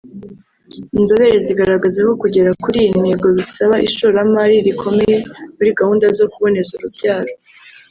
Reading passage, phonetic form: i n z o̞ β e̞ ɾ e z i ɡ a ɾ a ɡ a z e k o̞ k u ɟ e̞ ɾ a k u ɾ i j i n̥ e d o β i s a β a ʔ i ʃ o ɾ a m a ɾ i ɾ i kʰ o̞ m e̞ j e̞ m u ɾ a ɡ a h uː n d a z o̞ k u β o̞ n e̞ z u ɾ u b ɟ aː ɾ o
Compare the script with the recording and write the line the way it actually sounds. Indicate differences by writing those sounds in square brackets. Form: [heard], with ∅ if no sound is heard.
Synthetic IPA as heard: i n z o̞ β e̞ ɾ e z i ɡ a ɾ a ɡ a z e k o̞ k u ɟ e̞ ɾ a k u ɾ i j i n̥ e [ɡ] o β i s a β a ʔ i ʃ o ɾ a m a ɾ i ɾ i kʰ o̞ m e̞ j e̞ m u ɾ [i] ɡ a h uː n d a z o̞ k u β o̞ n e̞ z u ɾ u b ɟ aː ɾ o